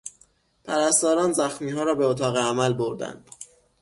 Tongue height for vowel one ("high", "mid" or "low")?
low